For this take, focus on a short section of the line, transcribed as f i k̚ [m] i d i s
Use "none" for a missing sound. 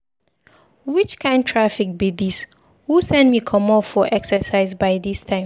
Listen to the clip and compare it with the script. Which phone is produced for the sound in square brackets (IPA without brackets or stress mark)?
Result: b